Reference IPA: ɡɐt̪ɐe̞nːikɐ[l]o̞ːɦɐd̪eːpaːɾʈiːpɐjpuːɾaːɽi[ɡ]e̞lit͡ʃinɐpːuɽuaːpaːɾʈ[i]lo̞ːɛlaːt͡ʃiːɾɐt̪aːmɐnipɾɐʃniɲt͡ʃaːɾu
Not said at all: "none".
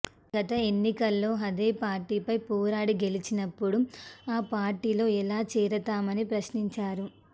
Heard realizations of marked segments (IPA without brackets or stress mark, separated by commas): lː, ɡ, iː